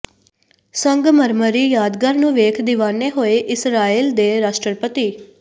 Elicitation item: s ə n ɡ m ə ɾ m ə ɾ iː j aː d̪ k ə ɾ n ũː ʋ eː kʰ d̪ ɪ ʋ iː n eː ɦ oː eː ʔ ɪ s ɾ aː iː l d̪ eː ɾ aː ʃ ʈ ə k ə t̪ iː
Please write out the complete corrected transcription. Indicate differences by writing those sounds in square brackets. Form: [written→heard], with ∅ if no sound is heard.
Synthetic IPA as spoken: s ə [n→ŋ] ɡ m ə ɾ m ə ɾ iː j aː d̪ [k→ɡ] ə ɾ n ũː ʋ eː kʰ d̪ ɪ ʋ [iː→aː] n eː ɦ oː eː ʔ ɪ s ɾ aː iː l d̪ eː ɾ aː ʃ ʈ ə [k→p] ə t̪ iː

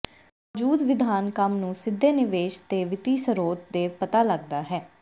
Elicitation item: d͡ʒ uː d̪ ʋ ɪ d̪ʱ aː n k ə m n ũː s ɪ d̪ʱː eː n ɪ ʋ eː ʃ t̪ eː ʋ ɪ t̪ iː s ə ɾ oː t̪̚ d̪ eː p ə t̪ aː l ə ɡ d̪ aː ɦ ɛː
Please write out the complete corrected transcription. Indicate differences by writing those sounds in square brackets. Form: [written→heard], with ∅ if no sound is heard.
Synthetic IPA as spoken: d͡ʒ uː d̪ ʋ ɪ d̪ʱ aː n k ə m n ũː s ɪ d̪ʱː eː n ɪ ʋ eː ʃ t̪ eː ʋ ɪ t̪ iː s ə ɾ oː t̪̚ d̪ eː p ə t̪ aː l ə ɡ d̪ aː ɦ ɛː

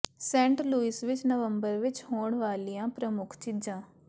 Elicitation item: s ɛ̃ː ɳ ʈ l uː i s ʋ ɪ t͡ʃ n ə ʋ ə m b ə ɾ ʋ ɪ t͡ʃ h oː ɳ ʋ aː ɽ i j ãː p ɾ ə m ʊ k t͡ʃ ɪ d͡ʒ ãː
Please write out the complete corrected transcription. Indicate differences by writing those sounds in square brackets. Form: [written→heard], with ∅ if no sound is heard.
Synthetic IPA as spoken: s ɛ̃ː ɳ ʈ l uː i s ʋ ɪ t͡ʃ n ə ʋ ə m b ə ɾ ʋ ɪ t͡ʃ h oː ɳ ʋ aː [ɽ→l] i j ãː p ɾ ə m ʊ [k→kʰ] t͡ʃ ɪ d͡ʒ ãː

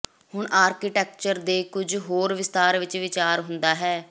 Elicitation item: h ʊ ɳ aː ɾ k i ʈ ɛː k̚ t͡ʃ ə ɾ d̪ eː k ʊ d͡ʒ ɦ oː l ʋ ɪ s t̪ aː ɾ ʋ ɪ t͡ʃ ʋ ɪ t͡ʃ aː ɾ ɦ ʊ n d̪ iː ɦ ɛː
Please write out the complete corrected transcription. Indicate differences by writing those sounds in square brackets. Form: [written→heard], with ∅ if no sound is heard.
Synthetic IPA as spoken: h ʊ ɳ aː ɾ k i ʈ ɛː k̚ t͡ʃ ə ɾ d̪ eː k ʊ d͡ʒ ɦ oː [l→ɾ] ʋ ɪ s t̪ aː ɾ ʋ ɪ t͡ʃ ʋ ɪ t͡ʃ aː ɾ ɦ ʊ n d̪ [iː→aː] ɦ ɛː

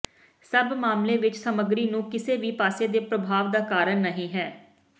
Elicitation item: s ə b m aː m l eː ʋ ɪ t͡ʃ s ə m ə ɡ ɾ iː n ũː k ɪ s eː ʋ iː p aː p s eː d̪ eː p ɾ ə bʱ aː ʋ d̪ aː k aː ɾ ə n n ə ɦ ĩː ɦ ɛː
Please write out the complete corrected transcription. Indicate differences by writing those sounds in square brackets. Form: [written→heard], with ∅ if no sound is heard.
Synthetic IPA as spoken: s ə b m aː m l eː ʋ ɪ t͡ʃ s ə m ə ɡ ɾ iː n ũː k ɪ s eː ʋ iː p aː [p→∅] s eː d̪ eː p ɾ ə bʱ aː ʋ d̪ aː k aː ɾ ə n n ə ɦ ĩː ɦ ɛː

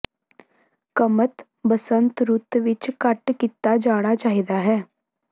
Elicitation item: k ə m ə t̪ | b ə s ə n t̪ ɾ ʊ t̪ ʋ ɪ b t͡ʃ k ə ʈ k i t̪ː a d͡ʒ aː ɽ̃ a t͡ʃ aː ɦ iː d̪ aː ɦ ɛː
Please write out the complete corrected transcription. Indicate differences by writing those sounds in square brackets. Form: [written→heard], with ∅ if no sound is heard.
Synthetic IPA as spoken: k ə m ə t̪ | b ə s ə n t̪ ɾ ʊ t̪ ʋ ɪ [b→∅] t͡ʃ k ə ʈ k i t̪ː a d͡ʒ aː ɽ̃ a t͡ʃ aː ɦ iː d̪ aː ɦ ɛː

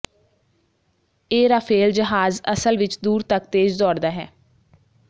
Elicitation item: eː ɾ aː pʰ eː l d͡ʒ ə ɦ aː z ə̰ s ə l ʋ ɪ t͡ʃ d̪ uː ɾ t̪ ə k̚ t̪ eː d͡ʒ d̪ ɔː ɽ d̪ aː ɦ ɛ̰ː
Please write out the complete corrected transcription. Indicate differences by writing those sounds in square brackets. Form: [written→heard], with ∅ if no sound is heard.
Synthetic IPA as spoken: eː ɾ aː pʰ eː l d͡ʒ ə ɦ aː z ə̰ s ə l ʋ ɪ t͡ʃ d̪ uː ɾ t̪ ə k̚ t̪ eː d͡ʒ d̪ ɔː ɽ d̪ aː ɦ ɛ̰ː

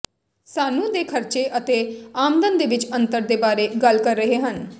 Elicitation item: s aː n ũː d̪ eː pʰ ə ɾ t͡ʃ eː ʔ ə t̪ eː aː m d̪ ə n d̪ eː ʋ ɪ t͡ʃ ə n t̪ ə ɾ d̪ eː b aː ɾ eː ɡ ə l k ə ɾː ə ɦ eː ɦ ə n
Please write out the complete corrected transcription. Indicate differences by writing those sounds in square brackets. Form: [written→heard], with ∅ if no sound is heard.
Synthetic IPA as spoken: s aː n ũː d̪ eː [pʰ→kʰ] ə ɾ t͡ʃ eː ʔ ə t̪ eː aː m d̪ ə n d̪ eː ʋ ɪ t͡ʃ ə n t̪ ə ɾ d̪ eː b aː ɾ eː ɡ ə l k ə ɾː ə ɦ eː ɦ ə n

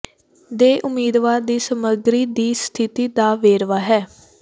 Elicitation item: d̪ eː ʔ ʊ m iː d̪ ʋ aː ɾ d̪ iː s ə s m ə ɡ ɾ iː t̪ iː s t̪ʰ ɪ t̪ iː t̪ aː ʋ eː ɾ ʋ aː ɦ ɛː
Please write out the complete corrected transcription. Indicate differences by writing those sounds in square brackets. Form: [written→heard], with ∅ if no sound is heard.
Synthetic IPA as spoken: d̪ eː ʔ ʊ m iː d̪ ʋ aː ɾ d̪ iː s ə [s→∅] m ə ɡ ɾ iː [t̪→d̪] iː s t̪ʰ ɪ t̪ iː [t̪→d̪] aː ʋ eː ɾ ʋ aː ɦ ɛː

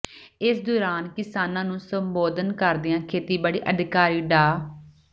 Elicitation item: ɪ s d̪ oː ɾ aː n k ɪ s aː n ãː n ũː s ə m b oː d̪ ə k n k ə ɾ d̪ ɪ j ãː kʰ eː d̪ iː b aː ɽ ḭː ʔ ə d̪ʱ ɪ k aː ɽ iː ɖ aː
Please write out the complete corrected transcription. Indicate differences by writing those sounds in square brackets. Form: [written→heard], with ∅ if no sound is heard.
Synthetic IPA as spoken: ɪ s d̪ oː ɾ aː n k ɪ s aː n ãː n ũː s ə m b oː d̪ ə [k→∅] n k ə ɾ d̪ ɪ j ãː kʰ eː [d̪→t̪] iː b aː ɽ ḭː ʔ ə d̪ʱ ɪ k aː [ɽ→ɾ] iː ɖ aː

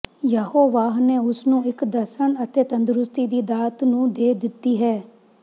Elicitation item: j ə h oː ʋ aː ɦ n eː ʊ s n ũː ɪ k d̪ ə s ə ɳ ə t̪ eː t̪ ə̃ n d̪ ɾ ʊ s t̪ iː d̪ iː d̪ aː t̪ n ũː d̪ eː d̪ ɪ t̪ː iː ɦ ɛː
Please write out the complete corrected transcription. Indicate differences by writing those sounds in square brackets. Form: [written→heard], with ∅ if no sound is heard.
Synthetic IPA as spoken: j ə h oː ʋ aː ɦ n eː ʊ s n ũː ɪ k d̪ ə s ə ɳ ə t̪ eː t̪ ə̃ n d̪ ɾ ʊ s t̪ iː d̪ iː d̪ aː t̪ n ũː d̪ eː d̪ ɪ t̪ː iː ɦ ɛː

